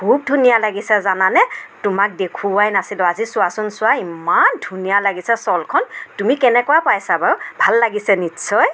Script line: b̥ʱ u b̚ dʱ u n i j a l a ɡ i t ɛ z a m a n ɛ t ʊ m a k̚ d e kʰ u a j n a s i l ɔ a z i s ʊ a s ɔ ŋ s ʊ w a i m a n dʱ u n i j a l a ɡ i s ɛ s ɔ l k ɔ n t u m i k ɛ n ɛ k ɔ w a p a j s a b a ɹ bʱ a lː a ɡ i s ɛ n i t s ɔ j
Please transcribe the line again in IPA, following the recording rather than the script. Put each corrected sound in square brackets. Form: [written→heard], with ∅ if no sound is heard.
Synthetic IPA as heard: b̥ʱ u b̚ dʱ u n i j a l a ɡ i [t→s] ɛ z a [m→n] a n ɛ t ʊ m a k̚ d e kʰ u a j n a s i l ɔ a z i s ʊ a s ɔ [ŋ→n] s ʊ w a i m a n dʱ u n i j a l a ɡ i s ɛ s ɔ l [k→kʰ] ɔ n t u m i k ɛ n ɛ k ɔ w a p a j s a b a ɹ bʱ a lː a ɡ i s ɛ n i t s ɔ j